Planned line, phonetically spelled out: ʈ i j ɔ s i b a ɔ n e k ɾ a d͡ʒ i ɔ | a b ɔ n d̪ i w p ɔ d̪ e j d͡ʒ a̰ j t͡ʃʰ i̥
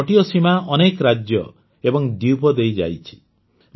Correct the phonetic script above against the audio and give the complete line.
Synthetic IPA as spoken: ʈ i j ɔ s i m a ɔ n e k ɾ a d͡ʒ j ɔ | e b ɔ ŋ d̪ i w p ɔ d̪ e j d͡ʒ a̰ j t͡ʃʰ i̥